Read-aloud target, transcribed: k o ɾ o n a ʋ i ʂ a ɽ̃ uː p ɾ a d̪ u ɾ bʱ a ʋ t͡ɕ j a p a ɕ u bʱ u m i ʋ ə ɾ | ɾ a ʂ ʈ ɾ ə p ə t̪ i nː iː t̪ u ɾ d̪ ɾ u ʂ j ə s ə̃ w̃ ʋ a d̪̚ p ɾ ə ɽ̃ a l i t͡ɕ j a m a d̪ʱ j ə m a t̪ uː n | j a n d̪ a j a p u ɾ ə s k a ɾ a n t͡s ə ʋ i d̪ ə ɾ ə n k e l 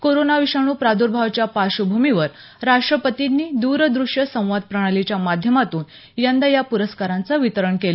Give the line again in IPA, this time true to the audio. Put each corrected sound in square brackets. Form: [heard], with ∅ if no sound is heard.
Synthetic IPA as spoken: k o ɾ o n a ʋ i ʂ a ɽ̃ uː p ɾ a d̪ u ɾ bʱ a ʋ t͡ɕ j a p a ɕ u bʱ u m i ʋ ə ɾ | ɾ a ʂ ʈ ɾ ə p ə t̪ i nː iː [d̪] u ɾ d̪ ɾ u ʂ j ə s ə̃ w̃ ʋ a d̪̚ p ɾ ə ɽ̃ a l i t͡ɕ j a m a d̪ʱ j ə m a t̪ uː n | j a n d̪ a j a p u ɾ ə s k a ɾ a n t͡s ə ʋ i [t̪] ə ɾ ə [ɳ] k e l